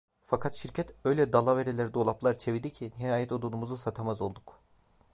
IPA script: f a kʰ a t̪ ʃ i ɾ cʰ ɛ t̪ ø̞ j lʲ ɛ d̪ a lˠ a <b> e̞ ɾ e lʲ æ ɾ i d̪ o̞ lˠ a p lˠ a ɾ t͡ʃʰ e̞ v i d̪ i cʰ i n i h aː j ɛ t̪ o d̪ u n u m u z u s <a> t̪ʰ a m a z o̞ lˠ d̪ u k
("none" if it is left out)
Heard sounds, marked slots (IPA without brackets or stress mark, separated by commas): v, a